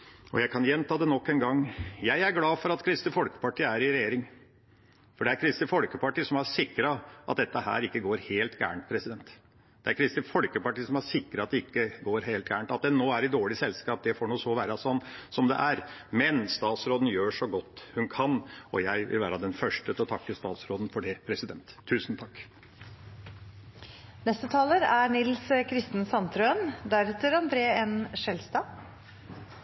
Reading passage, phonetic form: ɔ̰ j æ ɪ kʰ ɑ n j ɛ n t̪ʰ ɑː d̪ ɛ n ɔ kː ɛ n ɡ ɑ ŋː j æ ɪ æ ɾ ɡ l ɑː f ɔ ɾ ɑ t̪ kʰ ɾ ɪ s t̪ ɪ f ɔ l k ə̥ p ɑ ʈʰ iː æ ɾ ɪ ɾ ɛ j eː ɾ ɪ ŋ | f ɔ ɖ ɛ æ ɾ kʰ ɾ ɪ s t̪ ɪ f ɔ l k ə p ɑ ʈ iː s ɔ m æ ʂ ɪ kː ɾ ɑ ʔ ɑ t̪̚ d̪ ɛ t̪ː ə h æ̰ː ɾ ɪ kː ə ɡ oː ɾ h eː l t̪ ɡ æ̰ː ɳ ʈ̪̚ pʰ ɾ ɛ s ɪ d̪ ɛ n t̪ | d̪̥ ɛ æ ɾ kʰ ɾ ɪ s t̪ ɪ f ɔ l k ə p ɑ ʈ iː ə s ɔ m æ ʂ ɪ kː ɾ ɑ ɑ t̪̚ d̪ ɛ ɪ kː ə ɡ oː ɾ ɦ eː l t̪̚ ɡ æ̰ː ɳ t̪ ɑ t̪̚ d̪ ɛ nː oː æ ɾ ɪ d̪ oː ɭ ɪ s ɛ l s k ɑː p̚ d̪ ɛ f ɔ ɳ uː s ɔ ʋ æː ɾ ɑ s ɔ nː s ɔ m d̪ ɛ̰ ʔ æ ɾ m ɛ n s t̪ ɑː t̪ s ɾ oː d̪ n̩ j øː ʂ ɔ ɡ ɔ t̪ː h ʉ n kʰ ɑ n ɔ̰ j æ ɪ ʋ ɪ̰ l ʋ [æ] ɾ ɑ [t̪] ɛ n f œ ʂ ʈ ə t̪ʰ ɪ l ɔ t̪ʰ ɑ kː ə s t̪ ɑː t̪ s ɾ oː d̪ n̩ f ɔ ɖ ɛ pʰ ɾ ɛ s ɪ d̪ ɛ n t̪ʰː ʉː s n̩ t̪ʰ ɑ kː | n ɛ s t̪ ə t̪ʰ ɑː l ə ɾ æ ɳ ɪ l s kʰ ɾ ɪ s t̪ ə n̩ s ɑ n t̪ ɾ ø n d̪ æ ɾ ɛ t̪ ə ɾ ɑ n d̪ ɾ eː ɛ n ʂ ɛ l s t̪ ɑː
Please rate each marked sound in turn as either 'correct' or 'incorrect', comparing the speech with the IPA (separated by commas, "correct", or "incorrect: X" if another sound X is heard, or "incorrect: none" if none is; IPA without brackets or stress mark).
incorrect: æː, incorrect: d̪